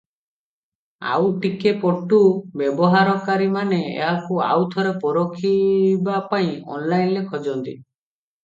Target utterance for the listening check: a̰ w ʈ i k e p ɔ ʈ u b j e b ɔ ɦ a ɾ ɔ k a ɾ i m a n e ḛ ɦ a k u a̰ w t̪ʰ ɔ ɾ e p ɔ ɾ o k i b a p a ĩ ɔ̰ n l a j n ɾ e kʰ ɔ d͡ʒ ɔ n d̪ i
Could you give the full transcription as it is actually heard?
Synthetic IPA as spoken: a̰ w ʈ i k e p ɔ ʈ u b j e b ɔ ɦ a ɾ ɔ k a ɾ i m a n e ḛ ɦ a k u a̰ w t̪ʰ ɔ ɾ e p ɔ ɾ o kʰ i b a p a ĩ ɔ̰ n l a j n l e kʰ ɔ d͡ʒ ɔ n t̪ i

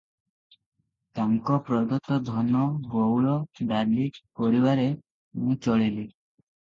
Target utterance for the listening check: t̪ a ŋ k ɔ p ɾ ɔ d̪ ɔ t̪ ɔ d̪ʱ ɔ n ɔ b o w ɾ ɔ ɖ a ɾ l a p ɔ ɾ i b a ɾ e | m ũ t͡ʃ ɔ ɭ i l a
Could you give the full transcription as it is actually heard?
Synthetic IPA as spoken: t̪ a ŋ k ɔ p ɾ ɔ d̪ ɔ t̪ ɔ d̪ʱ ɔ n ɔ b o w ɭ ɔ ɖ a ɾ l i p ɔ ɾ i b a ɾ e | m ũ t͡ʃ ɔ ɭ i l i

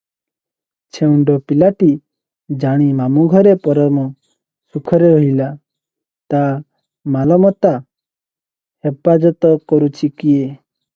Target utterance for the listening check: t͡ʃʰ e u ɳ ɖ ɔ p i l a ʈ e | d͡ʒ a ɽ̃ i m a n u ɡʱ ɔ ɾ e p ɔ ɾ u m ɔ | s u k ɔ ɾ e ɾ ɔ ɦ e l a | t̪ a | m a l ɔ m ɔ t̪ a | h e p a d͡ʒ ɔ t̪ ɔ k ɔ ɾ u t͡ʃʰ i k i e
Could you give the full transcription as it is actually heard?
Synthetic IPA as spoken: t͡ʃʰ e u ɳ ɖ ɔ p i l a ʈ i | d͡ʒ a ɽ̃ i m a m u ɡʱ ɔ ɾ e p ɔ ɾ ɔ m ɔ | s u kʰ ɔ ɾ e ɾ ɔ ɦ i l a | t̪ a | m a l ɔ m ɔ t̪ a | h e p a d͡ʒ ɔ t̪ ɔ k ɔ ɾ u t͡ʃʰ i k i e

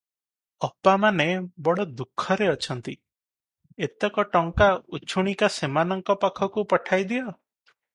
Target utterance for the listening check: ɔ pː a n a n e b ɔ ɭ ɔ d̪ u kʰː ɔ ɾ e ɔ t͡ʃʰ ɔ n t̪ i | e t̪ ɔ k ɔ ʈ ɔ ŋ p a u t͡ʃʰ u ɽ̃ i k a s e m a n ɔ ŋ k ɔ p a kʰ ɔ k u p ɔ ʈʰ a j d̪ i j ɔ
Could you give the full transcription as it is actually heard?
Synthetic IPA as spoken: ɔ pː a m a n e b ɔ ɽ ɔ d̪ u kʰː ɔ ɾ e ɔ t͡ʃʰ ɔ n t̪ i | e t̪ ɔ k ɔ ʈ ɔ ŋ k a u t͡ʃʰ u ɽ̃ i k a s e m a n ɔ ŋ k ɔ p a kʰ ɔ k u p ɔ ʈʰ a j d̪ i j ɔ

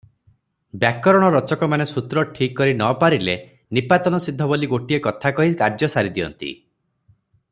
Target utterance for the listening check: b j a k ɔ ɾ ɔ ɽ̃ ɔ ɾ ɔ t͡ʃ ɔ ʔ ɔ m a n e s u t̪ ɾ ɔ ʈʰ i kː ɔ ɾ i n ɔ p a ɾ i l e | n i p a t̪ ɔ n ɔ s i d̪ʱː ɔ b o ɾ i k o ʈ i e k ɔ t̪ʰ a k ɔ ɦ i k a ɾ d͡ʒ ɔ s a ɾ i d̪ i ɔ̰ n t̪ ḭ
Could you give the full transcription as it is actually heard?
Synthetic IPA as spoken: b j a k ɔ ɾ ɔ ɽ̃ ɔ ɾ ɔ t͡ʃ ɔ k ɔ m a n e s u t̪ ɾ ɔ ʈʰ i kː ɔ ɾ i n ɔ p a ɾ i l e | n i p a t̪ ɔ n ɔ s i d̪ʱː ɔ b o l i ɡ o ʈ i e k ɔ t̪ʰ a k ɔ ɦ i k a ɾ d͡ʒ ɔ s a ɾ i d̪ i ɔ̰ n t̪ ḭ

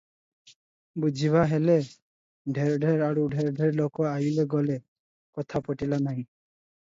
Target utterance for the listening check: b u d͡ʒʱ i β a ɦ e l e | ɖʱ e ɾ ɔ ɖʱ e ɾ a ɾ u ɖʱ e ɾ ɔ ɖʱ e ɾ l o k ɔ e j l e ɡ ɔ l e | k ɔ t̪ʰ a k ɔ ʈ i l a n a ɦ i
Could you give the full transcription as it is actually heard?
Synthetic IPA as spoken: b u d͡ʒʱ i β a ɦ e l e | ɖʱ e ɾ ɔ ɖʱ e ɾ a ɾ u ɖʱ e ɾ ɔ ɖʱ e ɾ l o k ɔ a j l e ɡ ɔ l e | k ɔ t̪ʰ a p ɔ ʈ i l a n a ɦ ĩ

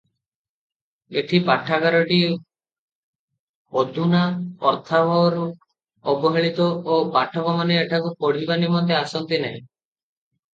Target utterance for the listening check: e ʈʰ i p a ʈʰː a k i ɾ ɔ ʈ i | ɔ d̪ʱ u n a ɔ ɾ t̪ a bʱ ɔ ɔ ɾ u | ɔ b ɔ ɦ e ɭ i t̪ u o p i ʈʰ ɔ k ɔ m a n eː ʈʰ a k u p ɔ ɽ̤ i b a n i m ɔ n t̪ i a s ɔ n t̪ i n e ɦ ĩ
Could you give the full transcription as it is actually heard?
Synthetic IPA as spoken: e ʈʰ i p a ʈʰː a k a ɾ ɔ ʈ i | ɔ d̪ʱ u n a ɔ ɾ t̪ʰ a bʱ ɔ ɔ ɾ u | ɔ b ɔ ɦ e ɭ i t̪ ɔ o p a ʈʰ ɔ k ɔ m a n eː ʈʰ a k u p ɔ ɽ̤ i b a n i m ɔ n t̪ e a s ɔ n t̪ i n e ɦ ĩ

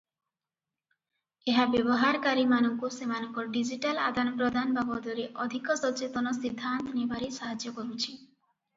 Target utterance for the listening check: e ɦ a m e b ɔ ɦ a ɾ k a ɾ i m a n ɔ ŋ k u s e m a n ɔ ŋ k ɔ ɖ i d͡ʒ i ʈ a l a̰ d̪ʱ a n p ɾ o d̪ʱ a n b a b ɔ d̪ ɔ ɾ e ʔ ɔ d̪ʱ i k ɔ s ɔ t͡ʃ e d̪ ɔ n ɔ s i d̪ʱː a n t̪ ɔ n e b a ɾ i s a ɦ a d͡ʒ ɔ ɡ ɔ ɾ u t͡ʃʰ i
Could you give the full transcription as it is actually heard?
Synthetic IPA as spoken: e ɦ a b e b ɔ ɦ a ɾ k a ɾ i m a n ɔ ŋ k u s e m a n ɔ ŋ k ɔ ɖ i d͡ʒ i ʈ a l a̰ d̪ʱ a n p ɾ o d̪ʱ a n b a b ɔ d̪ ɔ ɾ e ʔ ɔ d̪ʱ i k ɔ s ɔ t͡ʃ e t̪ ɔ n ɔ s i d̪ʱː a n t̪ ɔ n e b a ɾ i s a ɦ a d͡ʒ ɔ k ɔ ɾ u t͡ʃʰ i

